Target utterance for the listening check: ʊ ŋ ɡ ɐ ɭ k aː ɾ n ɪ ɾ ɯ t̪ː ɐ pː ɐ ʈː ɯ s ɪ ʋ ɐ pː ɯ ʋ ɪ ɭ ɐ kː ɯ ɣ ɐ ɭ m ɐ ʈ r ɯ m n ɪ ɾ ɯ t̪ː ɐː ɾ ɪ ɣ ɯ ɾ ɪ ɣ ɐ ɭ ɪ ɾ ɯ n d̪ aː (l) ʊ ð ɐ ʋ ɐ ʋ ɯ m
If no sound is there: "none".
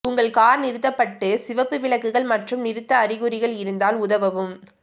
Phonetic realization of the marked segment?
l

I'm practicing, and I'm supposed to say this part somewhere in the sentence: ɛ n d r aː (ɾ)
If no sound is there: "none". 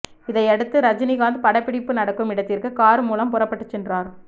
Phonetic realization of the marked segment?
ɾ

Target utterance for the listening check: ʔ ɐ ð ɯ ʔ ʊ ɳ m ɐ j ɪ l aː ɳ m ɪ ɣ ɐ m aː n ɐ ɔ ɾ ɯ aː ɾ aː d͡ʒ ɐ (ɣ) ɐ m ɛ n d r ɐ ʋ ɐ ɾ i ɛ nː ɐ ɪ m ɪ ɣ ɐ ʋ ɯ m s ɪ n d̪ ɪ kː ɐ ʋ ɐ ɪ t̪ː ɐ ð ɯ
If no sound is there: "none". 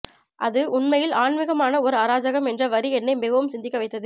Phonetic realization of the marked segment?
ɣ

